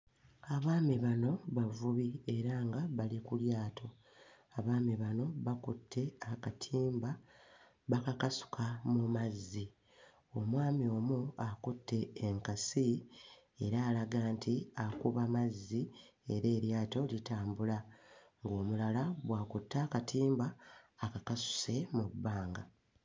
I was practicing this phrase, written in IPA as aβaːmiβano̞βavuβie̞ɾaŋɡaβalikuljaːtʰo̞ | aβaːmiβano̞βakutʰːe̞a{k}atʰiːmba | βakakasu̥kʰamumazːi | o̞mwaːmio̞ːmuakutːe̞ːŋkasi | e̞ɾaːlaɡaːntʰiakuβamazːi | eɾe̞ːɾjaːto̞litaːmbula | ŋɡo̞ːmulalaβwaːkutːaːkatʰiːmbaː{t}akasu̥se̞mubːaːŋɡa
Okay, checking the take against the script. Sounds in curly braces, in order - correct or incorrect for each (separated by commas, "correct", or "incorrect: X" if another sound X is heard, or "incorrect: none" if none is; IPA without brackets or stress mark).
correct, incorrect: k